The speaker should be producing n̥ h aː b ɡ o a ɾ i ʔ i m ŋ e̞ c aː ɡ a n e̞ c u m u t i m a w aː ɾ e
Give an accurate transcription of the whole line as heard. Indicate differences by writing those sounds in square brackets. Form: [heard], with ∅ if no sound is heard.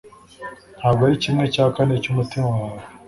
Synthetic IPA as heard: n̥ h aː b ɡ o a ɾ i [c] i m ŋ e̞ c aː [k] a n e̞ c u m u t i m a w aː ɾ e